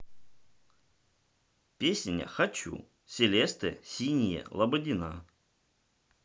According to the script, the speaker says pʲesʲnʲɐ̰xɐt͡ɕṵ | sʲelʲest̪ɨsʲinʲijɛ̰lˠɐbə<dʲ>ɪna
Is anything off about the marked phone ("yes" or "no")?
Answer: no